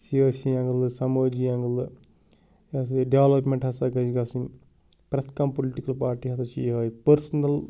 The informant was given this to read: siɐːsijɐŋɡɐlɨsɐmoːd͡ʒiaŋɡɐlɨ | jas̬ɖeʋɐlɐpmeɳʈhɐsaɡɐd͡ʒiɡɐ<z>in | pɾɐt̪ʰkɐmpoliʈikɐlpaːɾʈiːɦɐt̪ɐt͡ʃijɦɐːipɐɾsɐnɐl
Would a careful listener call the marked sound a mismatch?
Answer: yes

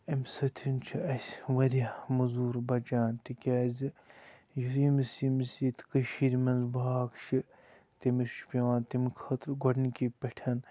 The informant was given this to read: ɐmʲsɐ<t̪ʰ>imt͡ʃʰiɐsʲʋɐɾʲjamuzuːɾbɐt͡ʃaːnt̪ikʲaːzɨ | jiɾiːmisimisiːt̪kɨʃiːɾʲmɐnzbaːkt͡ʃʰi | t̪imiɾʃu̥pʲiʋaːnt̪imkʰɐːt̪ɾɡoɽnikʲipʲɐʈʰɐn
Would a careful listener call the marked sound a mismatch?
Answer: no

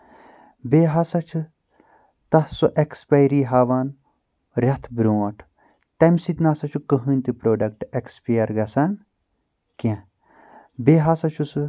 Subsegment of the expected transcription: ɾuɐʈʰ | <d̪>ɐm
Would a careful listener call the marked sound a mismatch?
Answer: yes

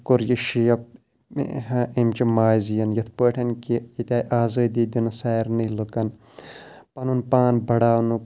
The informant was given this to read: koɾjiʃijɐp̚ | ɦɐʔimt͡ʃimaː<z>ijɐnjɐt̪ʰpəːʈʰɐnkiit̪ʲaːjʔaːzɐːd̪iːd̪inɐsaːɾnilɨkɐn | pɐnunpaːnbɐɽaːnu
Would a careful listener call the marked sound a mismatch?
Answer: no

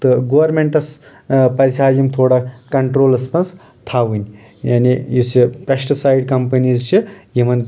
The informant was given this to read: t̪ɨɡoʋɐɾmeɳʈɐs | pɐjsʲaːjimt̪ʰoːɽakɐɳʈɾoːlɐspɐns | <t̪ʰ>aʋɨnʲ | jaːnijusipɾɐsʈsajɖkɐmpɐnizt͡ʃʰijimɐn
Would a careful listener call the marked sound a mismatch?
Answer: no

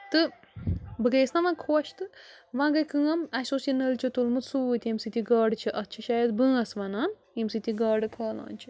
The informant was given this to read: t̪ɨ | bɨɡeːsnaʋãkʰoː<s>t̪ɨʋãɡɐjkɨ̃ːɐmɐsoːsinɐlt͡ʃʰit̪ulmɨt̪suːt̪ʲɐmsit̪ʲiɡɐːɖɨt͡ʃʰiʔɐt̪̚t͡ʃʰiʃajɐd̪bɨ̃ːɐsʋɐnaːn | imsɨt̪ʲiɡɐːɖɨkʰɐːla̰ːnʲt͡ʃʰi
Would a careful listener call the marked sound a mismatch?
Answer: yes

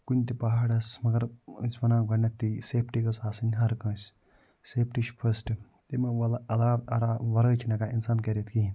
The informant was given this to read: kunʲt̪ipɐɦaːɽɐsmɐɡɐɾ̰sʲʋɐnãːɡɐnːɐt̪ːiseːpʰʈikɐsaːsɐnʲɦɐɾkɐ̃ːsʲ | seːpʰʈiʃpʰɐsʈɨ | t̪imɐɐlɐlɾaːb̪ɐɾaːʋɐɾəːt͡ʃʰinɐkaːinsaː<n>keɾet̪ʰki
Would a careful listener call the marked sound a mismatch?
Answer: no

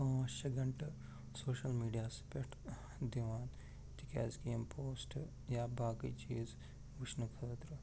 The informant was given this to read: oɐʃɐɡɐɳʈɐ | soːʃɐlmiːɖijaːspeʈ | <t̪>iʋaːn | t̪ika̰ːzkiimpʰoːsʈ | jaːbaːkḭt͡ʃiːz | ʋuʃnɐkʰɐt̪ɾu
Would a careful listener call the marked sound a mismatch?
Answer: yes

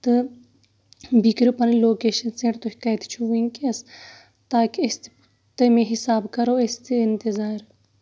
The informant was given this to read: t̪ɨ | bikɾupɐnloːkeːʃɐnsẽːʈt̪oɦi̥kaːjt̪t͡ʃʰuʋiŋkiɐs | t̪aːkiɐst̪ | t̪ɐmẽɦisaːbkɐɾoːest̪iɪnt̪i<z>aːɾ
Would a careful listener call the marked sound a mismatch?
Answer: no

